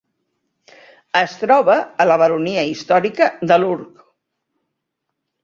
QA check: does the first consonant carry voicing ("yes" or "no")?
no